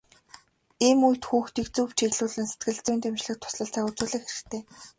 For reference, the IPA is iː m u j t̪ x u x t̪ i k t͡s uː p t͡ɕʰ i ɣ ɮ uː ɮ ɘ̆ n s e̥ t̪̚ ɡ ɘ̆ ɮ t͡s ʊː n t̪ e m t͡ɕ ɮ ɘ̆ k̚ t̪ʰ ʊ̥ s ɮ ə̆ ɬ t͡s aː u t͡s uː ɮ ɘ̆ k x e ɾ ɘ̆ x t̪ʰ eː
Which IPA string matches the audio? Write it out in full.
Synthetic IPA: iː m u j t̪ x uː x t̪ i k t͡s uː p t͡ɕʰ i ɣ ɮ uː ɮ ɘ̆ n s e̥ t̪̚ ɡ ɘ̆ ɮ t͡s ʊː n t̪ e m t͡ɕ ɮ ɘ̆ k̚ t̪ʰ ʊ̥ s ɮ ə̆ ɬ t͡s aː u t͡s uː ɮ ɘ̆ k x e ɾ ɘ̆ x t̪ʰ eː